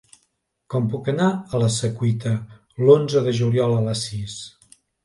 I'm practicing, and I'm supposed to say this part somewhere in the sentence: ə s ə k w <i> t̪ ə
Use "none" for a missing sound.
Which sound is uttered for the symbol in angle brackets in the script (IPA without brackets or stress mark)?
i